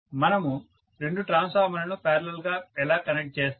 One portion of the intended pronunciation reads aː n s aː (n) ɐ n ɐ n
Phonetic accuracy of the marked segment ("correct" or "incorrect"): incorrect